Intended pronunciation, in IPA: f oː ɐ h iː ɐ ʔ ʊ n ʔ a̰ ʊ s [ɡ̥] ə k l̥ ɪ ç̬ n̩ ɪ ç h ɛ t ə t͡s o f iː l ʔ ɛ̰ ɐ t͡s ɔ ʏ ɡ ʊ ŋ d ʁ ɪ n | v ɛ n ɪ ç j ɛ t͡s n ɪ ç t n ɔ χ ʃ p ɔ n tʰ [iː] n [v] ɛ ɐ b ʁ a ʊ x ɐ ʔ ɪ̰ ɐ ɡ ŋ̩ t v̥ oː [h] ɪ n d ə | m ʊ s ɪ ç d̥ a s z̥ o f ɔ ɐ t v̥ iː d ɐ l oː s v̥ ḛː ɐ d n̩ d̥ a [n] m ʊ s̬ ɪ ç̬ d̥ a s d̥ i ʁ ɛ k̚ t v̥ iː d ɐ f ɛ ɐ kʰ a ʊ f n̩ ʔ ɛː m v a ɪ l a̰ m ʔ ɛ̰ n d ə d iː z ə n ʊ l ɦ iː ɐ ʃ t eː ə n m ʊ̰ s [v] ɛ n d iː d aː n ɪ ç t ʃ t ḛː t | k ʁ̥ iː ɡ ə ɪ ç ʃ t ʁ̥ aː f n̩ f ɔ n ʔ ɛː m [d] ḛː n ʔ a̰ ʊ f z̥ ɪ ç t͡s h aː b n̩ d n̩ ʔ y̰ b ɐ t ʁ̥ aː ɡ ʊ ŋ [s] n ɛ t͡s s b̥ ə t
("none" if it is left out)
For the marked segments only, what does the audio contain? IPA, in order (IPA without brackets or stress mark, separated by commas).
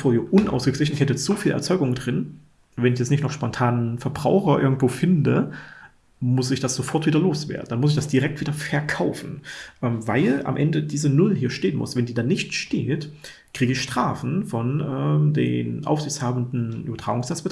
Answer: ɡ̥, aː, f, f, n, v, d, s